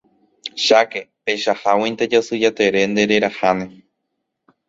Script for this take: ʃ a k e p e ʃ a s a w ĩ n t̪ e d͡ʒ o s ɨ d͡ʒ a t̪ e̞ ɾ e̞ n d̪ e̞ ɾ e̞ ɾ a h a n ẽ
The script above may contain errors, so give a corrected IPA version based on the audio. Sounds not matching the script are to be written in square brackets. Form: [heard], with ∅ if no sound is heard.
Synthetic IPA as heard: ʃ a k e p e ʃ a [h] a w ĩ n t̪ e d͡ʒ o s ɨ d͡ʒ a t̪ e̞ ɾ e̞ n d̪ e̞ ɾ e̞ ɾ a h a n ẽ